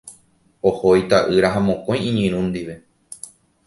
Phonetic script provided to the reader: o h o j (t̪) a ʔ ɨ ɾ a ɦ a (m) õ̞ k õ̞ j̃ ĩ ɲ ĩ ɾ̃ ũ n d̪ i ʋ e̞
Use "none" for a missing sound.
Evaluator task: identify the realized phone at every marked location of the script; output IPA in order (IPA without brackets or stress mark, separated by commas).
t̪, m